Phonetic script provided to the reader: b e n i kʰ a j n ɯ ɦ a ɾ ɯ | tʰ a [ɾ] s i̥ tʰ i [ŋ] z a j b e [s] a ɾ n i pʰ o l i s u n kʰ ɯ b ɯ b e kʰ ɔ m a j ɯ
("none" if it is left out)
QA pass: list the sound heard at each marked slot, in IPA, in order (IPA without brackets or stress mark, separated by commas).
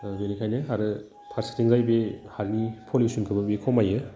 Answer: ɾ, ŋ, h